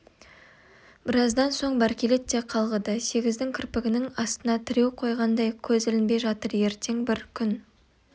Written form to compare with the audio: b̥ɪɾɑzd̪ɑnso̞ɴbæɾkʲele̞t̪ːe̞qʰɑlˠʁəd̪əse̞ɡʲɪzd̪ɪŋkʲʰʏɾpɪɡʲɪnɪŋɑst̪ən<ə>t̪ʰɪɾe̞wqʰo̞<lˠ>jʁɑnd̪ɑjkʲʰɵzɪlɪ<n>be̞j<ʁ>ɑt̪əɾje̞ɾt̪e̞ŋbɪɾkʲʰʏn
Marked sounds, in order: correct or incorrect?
incorrect: ɑ, incorrect: none, correct, incorrect: ʒ

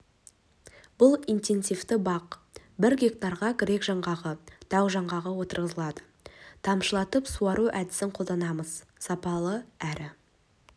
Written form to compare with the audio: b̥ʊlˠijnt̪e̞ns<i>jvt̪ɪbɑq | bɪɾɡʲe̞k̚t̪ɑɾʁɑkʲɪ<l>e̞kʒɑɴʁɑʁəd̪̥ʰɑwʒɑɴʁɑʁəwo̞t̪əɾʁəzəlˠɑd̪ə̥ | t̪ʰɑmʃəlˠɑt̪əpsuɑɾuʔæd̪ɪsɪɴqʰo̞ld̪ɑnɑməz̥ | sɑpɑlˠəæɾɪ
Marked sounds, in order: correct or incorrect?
correct, incorrect: ɾ

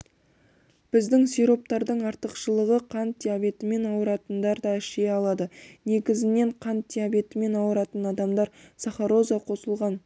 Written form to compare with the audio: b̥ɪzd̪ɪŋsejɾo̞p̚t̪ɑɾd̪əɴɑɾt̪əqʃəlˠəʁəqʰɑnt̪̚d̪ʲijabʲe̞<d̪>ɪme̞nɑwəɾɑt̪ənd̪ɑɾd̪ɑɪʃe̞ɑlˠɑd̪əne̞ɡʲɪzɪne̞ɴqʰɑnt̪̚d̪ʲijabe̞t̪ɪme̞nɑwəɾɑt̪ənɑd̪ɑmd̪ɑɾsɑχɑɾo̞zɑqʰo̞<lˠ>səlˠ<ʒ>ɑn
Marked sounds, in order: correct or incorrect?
incorrect: t̪, incorrect: none, incorrect: ʁ

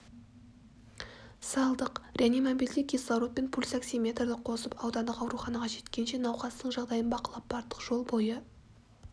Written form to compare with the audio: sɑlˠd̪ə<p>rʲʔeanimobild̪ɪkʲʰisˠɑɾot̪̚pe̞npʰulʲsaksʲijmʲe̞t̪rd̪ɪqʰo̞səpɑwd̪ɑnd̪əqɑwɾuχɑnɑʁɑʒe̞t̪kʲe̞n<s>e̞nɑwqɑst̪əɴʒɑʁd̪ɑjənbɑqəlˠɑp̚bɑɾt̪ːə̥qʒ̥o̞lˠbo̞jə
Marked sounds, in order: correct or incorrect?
incorrect: q, incorrect: ʃ

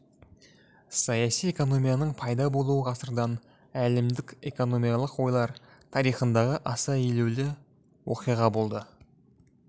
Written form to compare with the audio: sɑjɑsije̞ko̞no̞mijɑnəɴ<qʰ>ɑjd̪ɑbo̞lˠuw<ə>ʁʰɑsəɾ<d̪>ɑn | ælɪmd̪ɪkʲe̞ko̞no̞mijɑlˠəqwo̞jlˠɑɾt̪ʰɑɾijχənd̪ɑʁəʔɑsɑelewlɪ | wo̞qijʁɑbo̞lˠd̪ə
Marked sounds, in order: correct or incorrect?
incorrect: pʰ, correct, correct

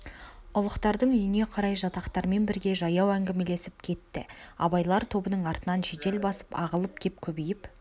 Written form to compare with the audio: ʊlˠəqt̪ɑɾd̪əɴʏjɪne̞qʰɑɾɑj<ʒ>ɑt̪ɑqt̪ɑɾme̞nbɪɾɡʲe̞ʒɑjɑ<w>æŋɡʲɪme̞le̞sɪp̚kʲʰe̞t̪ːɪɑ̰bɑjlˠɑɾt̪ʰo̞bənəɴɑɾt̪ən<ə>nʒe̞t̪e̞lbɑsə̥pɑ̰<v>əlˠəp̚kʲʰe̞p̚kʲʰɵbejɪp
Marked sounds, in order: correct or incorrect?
correct, correct, incorrect: ɑ, incorrect: ʁ

